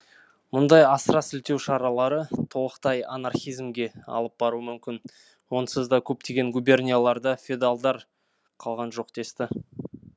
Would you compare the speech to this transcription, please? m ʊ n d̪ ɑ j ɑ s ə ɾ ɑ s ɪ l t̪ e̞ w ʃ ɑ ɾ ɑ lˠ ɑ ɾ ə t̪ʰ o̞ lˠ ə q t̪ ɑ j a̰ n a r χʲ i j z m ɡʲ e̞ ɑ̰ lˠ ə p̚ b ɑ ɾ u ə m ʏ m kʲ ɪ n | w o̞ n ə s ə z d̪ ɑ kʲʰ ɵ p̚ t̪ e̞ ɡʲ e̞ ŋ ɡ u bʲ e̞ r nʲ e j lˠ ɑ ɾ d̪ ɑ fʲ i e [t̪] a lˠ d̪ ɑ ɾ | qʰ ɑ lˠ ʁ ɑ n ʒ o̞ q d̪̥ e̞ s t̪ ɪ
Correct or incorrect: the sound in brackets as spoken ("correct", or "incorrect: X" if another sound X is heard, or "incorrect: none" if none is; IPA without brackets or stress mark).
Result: incorrect: d̪